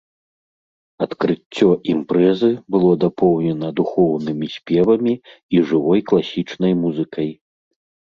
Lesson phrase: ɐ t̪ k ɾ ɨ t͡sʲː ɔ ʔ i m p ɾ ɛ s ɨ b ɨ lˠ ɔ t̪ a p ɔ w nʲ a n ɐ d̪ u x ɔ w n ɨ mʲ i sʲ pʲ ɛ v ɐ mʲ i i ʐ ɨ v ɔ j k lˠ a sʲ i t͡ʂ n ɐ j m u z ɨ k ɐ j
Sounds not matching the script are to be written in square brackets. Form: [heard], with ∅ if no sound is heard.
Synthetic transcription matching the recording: ɐ t̪ k ɾ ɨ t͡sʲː ɔ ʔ i m p ɾ ɛ [z] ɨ b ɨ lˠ ɔ [d̪] a p ɔ w nʲ [ɛ] n ɐ d̪ u x ɔ w n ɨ mʲ i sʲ pʲ ɛ v ɐ mʲ i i ʐ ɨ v ɔ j k lˠ a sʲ i t͡ʂ n ɐ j m u z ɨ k ɐ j